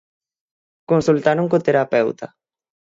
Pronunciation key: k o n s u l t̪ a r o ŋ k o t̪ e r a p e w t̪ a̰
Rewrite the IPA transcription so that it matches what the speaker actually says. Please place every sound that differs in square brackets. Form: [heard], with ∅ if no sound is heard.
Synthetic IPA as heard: k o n s u l t̪ a [ɾ] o ŋ k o t̪ e [ɾ] a p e w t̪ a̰